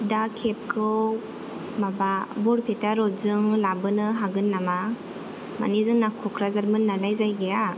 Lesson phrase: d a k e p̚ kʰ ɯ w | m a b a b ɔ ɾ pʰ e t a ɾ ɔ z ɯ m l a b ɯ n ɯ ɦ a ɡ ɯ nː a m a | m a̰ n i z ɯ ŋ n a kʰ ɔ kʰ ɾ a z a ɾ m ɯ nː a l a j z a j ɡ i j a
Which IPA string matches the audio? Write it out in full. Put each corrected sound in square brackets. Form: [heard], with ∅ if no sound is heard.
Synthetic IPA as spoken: d a [kʰ] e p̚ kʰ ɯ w | m a b a b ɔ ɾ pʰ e t a ɾ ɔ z ɯ [ŋ] l a b ɯ n ɯ ɦ a ɡ ɯ nː a m a | m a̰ n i z ɯ ŋ n a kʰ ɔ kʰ ɾ a z a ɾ m ɯ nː a l a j z a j ɡ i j a